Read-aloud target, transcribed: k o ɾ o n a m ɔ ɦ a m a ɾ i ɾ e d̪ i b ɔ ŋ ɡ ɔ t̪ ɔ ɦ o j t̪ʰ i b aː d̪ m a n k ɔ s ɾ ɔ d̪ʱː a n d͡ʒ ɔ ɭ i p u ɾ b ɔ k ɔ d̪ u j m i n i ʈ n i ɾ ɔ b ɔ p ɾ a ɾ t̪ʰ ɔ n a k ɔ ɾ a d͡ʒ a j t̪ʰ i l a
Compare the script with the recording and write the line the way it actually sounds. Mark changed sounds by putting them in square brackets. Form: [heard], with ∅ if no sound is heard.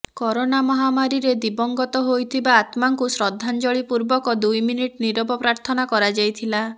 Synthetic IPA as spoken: k [ɔ] ɾ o n a m ɔ ɦ a m a ɾ i ɾ e d̪ i b ɔ ŋ ɡ ɔ t̪ ɔ ɦ o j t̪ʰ i b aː [t̪] m a [ŋ] k [u] s ɾ ɔ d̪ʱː a n d͡ʒ ɔ ɭ i p u ɾ b ɔ k ɔ d̪ u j m i n i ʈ n i ɾ ɔ b ɔ p ɾ a ɾ t̪ʰ ɔ n a k ɔ ɾ a d͡ʒ a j t̪ʰ i l a

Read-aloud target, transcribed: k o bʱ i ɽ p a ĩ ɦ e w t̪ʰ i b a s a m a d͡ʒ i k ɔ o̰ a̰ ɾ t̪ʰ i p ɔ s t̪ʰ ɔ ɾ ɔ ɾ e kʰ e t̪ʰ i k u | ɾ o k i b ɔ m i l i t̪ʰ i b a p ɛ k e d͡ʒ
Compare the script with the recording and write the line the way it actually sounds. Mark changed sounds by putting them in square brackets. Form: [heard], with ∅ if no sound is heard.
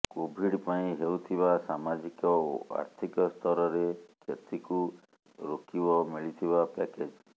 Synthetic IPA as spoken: k o bʱ i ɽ p a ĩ ɦ e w t̪ʰ i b a s a m a d͡ʒ i k ɔ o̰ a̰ ɾ t̪ʰ i [k] ɔ s t̪ʰ ɔ ɾ ɔ ɾ e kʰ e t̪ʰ i k u | ɾ o k i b ɔ m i [ɭ] i t̪ʰ i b a p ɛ k e d͡ʒ

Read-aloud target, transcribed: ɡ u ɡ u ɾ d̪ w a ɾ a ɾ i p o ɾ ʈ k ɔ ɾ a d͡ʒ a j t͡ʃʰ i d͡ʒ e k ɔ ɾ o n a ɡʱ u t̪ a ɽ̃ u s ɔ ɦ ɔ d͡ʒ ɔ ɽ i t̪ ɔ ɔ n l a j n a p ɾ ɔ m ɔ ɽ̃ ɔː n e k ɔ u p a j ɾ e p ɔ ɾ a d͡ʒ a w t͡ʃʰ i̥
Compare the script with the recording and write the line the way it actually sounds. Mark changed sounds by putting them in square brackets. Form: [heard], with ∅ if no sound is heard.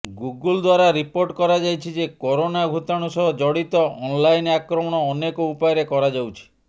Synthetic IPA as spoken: ɡ u ɡ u [l] d̪ w a ɾ a ɾ i p o ɾ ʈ k ɔ ɾ a d͡ʒ a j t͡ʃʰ i d͡ʒ e k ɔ ɾ o n a ɡʱ u t̪ a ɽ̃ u s ɔ ɦ ɔ d͡ʒ ɔ ɽ i t̪ ɔ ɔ n l a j n a [k] ɾ ɔ m ɔ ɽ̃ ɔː n e k ɔ u p a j ɾ e [k] ɔ ɾ a d͡ʒ a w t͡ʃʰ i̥

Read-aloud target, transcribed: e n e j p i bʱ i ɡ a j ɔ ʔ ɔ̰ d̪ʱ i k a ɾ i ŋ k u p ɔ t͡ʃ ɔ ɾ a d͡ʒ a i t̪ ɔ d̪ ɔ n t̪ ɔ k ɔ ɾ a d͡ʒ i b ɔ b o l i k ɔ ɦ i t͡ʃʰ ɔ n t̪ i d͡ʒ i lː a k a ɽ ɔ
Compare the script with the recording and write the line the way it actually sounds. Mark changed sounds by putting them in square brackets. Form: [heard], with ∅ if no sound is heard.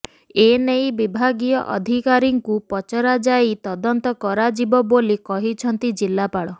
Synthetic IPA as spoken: e n e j [b] i bʱ [a] ɡ [i] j ɔ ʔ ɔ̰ d̪ʱ i k a ɾ i ŋ k u p ɔ t͡ʃ ɔ ɾ a d͡ʒ a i t̪ ɔ d̪ ɔ n t̪ ɔ k ɔ ɾ a d͡ʒ i b ɔ b o l i k ɔ ɦ i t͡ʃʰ ɔ n t̪ i d͡ʒ i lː a [p] a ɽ ɔ

